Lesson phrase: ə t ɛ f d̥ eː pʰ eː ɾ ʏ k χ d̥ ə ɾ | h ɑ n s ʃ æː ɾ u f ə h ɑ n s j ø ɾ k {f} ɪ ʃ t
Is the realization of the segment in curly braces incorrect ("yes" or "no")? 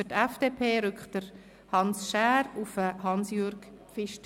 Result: no